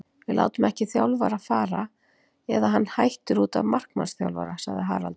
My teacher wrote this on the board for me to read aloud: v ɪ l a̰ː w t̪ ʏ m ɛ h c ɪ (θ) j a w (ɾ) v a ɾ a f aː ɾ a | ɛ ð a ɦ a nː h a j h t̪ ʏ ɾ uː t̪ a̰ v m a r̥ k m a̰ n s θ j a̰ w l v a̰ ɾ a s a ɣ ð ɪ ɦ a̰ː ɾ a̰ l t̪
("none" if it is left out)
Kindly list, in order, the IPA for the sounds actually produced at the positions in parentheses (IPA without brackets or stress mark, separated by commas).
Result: θ, l